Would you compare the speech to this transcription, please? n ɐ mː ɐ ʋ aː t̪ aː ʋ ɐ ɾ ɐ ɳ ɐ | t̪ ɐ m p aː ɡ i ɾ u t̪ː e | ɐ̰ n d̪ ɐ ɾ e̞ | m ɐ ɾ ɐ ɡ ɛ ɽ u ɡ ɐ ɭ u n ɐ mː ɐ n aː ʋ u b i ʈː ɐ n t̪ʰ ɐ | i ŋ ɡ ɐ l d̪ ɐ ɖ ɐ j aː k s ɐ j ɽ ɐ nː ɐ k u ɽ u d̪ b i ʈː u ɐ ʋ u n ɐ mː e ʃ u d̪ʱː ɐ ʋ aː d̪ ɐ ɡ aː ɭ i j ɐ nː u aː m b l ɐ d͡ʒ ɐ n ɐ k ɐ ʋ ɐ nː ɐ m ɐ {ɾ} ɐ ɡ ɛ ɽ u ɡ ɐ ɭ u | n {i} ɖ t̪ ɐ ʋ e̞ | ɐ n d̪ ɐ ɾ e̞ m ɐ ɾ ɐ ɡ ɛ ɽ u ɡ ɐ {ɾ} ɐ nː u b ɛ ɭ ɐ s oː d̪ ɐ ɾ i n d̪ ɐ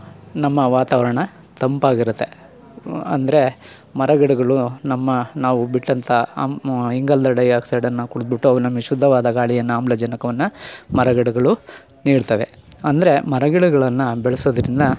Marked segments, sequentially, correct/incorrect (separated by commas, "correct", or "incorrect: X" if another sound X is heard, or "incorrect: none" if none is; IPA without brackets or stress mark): correct, incorrect: iː, incorrect: ɭ